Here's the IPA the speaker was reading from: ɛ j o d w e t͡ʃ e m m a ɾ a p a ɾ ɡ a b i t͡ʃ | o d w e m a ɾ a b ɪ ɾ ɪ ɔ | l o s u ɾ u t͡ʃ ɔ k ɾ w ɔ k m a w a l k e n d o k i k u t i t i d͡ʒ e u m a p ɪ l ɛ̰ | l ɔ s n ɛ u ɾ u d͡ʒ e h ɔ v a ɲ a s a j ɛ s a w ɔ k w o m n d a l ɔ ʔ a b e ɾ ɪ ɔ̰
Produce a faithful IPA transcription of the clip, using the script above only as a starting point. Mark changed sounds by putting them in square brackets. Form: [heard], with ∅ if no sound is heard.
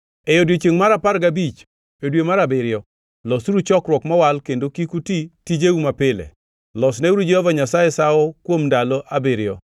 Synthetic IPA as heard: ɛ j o d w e t͡ʃ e [ŋ] m a ɾ a p a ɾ ɡ a b i t͡ʃ | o d w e m a ɾ a b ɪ ɾ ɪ ɔ | l [ɔ] s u ɾ u t͡ʃ ɔ k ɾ w ɔ k m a w a l k e n d o k i k u t i t i d͡ʒ e u m a p ɪ l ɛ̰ | l ɔ s n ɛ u ɾ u d͡ʒ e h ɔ v a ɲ a s a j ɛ s a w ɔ k w o m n d a l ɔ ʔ a b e ɾ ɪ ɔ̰

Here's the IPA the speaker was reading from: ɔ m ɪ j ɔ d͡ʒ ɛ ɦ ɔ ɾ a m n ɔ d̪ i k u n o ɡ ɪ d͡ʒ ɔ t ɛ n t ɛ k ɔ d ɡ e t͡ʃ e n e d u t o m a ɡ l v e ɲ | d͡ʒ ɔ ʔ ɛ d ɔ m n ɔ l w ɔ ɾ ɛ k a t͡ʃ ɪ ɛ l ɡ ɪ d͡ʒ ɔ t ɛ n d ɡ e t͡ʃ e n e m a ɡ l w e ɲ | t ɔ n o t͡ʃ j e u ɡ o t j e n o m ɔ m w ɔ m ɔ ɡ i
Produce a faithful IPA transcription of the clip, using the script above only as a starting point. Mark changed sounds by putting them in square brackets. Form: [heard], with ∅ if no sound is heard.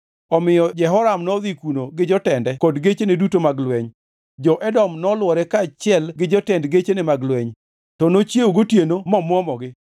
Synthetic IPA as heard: ɔ m ɪ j ɔ d͡ʒ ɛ ɦ ɔ ɾ a m n ɔ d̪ i k u n o ɡ ɪ d͡ʒ ɔ t ɛ n [d] ɛ k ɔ d ɡ e t͡ʃ e n e d u t o m a ɡ l [w] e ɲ | d͡ʒ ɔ ʔ ɛ d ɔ m n ɔ l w ɔ ɾ ɛ k a t͡ʃ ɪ ɛ l ɡ ɪ d͡ʒ ɔ t ɛ n d ɡ e t͡ʃ e n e m a ɡ l w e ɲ | t ɔ n o t͡ʃ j e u ɡ o t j e n o m ɔ m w ɔ m ɔ ɡ [ɪ]

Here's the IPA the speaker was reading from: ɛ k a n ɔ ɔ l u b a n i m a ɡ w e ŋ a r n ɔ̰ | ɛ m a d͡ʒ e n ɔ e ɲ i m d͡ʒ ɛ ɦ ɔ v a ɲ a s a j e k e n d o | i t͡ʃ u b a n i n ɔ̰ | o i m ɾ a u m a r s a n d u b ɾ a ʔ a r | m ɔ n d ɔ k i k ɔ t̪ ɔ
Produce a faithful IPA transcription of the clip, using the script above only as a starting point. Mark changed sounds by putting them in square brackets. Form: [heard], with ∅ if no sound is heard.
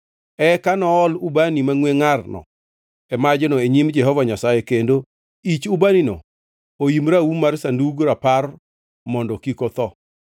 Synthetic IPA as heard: ɛ k a n ɔ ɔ l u b a n i m a [ŋ] w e ŋ a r n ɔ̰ | ɛ m a d͡ʒ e n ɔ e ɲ i m d͡ʒ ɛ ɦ ɔ v a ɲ a s a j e k e n d o | i t͡ʃ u b a n i n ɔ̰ | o i m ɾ a u m a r s a n d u [ɡ] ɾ a [p] a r | m ɔ n d ɔ k i k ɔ t̪ ɔ

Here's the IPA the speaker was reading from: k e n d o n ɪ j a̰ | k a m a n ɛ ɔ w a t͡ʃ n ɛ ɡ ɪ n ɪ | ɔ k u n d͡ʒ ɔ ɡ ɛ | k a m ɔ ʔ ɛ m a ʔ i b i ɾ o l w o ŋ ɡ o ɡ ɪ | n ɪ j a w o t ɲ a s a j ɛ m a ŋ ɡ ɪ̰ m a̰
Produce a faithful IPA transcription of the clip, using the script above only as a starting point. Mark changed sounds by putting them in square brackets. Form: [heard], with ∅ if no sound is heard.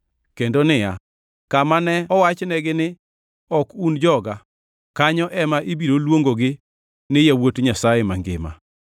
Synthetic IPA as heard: k e n d o n ɪ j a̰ | k a m a n ɛ ɔ w a t͡ʃ n ɛ ɡ ɪ n ɪ | ɔ k u n d͡ʒ ɔ ɡ [a] | k a [ɲ] ɔ ʔ ɛ m a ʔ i b i ɾ o l w o ŋ ɡ o ɡ ɪ | n ɪ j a w o t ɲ a s a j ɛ m a ŋ ɡ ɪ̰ m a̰

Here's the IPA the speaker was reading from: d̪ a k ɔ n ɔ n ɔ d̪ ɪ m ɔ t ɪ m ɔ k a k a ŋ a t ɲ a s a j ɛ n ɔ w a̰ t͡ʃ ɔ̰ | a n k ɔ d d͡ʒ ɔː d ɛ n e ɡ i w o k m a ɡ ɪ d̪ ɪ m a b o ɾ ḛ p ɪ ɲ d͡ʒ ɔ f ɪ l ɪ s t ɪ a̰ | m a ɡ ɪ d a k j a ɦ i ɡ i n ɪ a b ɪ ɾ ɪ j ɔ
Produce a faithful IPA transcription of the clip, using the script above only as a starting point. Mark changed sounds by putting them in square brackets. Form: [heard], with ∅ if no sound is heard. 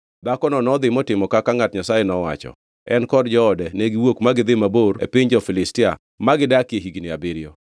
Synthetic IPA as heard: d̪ a k ɔ n ɔ n ɔ d̪ ɪ m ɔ t ɪ m ɔ k a k a ŋ a t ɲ a s a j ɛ n ɔ w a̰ t͡ʃ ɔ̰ | [ɛ] n k ɔ d d͡ʒ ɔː d ɛ n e ɡ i w o k m a ɡ ɪ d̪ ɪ m a b o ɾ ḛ p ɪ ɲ d͡ʒ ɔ f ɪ l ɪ s t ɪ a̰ | m a ɡ ɪ d a k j [e] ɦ i ɡ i n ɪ a b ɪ ɾ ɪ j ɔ

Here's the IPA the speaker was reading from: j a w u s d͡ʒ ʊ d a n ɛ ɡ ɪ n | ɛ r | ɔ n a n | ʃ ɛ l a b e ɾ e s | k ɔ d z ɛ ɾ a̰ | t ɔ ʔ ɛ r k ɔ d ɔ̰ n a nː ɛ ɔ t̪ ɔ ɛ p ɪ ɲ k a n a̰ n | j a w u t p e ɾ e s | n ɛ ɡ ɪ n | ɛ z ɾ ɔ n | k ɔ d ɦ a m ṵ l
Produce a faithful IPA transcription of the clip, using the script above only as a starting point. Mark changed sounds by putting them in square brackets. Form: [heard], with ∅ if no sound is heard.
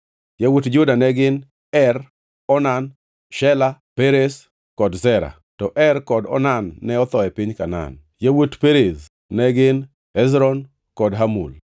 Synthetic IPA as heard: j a w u [t] d͡ʒ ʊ d a n ɛ ɡ ɪ n | ɛ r | ɔ n a n | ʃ ɛ l a [p] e ɾ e s | k ɔ d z ɛ ɾ a̰ | t ɔ ʔ ɛ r k ɔ d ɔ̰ n a nː ɛ ɔ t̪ ɔ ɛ p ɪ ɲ k a n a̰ n | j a w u t p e ɾ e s | n ɛ ɡ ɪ n | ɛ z ɾ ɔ n | k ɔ d ɦ a m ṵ l

